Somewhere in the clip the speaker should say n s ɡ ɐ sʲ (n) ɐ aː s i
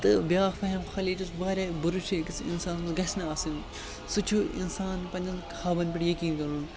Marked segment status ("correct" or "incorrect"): correct